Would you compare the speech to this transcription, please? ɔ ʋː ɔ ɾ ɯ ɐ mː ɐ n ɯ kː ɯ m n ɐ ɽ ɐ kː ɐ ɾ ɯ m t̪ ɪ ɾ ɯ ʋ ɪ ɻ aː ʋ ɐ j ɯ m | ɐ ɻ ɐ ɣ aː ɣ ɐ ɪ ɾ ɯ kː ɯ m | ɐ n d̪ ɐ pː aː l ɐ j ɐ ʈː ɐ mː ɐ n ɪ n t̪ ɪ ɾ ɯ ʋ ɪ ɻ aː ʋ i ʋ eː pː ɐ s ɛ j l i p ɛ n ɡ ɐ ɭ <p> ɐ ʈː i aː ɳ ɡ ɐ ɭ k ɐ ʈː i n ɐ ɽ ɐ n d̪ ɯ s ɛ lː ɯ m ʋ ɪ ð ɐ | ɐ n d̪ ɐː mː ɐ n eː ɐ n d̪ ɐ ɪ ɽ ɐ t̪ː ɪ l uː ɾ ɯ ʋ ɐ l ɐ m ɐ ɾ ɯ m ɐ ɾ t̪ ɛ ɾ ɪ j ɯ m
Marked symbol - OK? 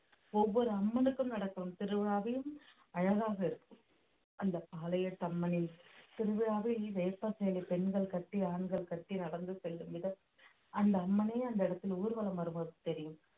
no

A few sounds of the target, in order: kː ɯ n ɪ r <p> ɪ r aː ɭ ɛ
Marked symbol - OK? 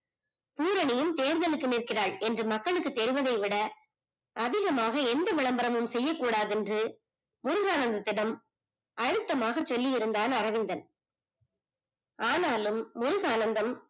no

